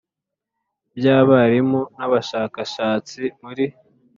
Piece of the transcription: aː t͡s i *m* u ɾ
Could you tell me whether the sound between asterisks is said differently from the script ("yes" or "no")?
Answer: no